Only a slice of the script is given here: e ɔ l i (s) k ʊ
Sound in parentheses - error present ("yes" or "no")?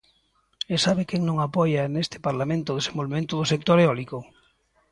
yes